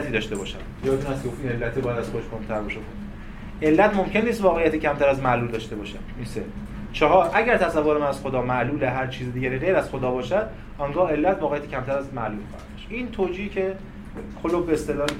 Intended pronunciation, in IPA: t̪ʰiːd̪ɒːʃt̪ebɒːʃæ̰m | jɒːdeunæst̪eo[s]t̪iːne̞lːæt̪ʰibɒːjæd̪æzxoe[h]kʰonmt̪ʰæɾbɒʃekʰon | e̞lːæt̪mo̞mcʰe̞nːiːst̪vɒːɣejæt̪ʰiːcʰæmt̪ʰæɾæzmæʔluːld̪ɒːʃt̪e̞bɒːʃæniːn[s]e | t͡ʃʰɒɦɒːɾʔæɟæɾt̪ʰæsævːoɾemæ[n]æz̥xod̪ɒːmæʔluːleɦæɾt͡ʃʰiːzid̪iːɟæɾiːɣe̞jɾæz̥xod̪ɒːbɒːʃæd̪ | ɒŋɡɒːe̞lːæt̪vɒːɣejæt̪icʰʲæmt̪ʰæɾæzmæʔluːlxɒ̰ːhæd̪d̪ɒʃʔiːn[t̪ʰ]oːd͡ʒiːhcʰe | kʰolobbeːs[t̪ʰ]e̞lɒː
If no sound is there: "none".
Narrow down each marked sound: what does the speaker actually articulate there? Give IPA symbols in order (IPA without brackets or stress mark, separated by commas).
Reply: f, ʃ, s, n, t̪ʰ, t̪